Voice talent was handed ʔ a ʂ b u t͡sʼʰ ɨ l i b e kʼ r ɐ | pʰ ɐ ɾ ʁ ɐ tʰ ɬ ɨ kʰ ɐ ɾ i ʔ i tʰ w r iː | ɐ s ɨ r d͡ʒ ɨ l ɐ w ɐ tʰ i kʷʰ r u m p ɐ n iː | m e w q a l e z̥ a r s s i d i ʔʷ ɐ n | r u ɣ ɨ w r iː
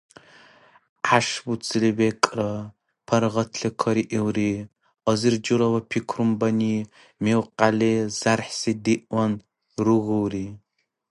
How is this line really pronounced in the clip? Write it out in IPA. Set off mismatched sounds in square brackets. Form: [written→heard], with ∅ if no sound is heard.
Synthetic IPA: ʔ a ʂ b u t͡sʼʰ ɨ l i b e kʼ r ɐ | pʰ ɐ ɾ ʁ ɐ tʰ ɬ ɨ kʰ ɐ ɾ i ʔ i [tʰ→∅] w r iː | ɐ [s→z] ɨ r d͡ʒ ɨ [l→ɾ] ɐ w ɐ [tʰ→pʰ] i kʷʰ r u m [p→b] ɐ n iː | m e w q a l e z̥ a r [s→ħ] s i d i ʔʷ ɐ n | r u ɣ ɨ w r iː